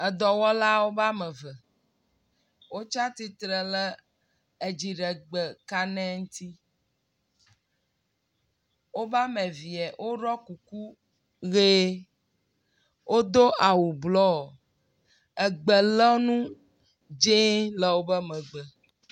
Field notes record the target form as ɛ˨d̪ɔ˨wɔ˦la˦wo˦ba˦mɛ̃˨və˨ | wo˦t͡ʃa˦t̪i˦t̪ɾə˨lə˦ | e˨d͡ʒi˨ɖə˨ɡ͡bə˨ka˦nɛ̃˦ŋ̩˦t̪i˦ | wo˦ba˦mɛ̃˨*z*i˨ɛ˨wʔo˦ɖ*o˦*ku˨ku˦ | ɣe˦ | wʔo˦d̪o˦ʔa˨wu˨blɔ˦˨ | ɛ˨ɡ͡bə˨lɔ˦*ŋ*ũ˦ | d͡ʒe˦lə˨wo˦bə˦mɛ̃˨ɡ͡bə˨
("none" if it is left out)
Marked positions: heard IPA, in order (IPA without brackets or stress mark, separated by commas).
v, ɔ˦, n